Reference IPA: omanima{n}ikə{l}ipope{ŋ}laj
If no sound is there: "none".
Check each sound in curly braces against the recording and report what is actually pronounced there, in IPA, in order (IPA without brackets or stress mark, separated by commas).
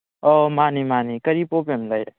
n, ɾ, m